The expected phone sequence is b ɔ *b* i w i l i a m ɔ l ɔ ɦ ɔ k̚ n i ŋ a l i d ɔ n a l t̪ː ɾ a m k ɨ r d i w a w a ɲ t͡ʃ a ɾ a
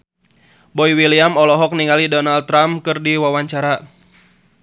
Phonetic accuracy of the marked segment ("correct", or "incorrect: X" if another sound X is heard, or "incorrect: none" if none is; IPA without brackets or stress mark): incorrect: none